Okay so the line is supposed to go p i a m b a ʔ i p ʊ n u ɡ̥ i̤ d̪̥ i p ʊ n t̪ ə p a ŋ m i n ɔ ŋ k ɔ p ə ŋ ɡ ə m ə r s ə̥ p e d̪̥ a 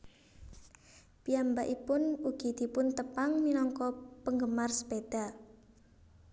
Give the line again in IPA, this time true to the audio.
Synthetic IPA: p i a m b a ʔ i p ʊ n u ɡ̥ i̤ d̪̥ i p ʊ n t̪ ə p a ŋ m i n ɔ ŋ k ɔ p ə ŋ ɡ ə m a r s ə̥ p e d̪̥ a